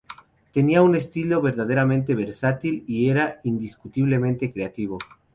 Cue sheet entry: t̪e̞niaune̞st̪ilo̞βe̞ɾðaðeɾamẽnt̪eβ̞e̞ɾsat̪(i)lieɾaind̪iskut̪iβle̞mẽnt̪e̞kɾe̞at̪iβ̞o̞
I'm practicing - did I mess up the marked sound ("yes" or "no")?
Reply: no